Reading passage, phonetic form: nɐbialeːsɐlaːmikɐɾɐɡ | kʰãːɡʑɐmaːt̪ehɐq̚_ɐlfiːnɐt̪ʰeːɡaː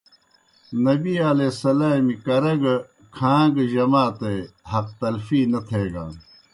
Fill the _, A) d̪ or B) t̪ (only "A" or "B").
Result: B